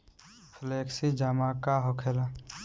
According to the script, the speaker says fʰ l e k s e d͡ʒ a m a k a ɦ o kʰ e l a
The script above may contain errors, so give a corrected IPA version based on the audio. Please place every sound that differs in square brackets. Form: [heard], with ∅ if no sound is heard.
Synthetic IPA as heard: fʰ l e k s [i] d͡ʒ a m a k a ɦ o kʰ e l a